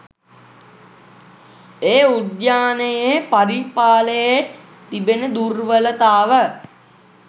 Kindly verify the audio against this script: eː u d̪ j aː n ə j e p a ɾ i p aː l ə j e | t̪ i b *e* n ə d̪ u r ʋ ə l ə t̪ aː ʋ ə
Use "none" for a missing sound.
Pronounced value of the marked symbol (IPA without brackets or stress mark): e